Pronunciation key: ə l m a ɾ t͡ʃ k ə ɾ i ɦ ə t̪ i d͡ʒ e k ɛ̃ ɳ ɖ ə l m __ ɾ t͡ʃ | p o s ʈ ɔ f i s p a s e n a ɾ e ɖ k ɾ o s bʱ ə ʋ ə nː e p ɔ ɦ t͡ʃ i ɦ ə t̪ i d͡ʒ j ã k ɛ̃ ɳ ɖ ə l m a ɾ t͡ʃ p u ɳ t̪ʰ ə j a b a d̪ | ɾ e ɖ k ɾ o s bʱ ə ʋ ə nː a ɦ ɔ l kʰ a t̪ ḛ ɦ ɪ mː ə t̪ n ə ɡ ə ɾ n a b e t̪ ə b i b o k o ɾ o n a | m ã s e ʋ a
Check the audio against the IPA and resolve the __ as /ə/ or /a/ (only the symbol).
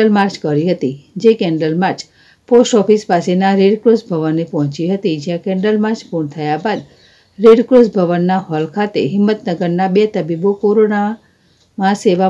a